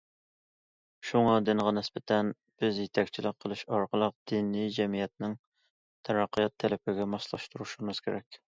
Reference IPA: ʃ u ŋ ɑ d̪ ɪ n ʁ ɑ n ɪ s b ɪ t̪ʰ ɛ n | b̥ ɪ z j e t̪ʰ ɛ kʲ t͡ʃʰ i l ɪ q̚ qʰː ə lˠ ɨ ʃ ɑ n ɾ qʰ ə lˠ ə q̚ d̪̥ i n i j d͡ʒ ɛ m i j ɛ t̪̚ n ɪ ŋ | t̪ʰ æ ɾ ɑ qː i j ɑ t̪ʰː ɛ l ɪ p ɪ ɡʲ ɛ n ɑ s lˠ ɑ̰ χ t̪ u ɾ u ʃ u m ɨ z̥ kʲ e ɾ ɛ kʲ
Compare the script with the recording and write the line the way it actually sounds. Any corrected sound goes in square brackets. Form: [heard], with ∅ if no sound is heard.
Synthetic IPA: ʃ u ŋ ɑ d̪ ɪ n ʁ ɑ n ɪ s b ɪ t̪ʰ ɛ n | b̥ ɪ z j e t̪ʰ ɛ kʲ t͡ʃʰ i l ɪ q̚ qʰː ə lˠ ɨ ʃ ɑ [∅] ɾ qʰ ə lˠ ə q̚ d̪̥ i n i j d͡ʒ ɛ m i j ɛ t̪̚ n ɪ ŋ | t̪ʰ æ ɾ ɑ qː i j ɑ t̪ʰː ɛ l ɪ p ɪ ɡʲ ɛ [m] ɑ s lˠ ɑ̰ [ʃ] t̪ u ɾ u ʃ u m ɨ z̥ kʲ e ɾ ɛ kʲ